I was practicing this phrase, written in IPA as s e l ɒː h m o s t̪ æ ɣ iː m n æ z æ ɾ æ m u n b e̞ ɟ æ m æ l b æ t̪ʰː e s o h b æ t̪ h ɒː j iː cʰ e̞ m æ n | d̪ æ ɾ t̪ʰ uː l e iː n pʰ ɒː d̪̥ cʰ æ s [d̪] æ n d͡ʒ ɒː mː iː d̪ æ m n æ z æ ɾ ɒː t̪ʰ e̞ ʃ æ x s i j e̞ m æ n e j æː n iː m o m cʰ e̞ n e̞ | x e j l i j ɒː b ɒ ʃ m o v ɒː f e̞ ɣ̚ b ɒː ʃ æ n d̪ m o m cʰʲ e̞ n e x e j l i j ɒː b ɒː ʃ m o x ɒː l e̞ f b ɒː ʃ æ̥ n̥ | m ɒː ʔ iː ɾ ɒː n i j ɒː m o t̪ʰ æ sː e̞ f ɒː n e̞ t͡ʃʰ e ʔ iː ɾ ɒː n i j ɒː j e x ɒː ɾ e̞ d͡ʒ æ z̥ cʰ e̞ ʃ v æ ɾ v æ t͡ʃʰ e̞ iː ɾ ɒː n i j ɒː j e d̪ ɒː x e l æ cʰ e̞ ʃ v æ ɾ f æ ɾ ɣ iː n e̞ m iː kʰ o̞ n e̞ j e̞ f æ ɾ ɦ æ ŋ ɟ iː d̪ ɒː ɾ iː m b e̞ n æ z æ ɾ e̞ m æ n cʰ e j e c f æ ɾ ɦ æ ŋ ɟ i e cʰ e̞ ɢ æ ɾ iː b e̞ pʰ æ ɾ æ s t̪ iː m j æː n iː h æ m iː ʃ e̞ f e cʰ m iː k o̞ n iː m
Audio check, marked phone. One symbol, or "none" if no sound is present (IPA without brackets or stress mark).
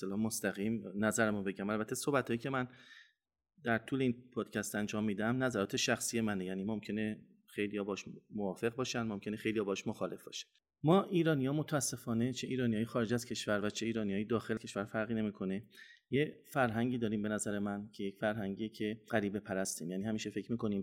t̪